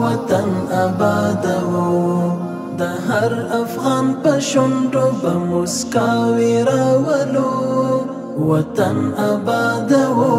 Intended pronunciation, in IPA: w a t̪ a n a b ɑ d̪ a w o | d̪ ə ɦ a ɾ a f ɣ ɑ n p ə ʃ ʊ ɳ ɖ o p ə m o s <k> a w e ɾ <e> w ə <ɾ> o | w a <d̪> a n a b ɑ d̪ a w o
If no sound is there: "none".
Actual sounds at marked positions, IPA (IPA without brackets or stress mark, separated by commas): k, a, l, t̪